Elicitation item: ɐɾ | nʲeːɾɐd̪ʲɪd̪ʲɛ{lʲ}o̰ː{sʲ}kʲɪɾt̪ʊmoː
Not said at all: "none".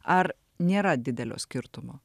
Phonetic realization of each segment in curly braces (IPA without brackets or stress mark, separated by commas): lʲ, sʲ